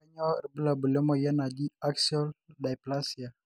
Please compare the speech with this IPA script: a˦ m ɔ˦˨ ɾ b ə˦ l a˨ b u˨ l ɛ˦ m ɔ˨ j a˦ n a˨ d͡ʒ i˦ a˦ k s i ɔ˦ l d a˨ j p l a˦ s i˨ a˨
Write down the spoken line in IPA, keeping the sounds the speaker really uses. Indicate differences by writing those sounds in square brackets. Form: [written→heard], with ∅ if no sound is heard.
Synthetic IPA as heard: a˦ [m→ɲ] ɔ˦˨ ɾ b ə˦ l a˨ b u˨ l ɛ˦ m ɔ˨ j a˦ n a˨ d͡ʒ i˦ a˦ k s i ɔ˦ l d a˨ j p l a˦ s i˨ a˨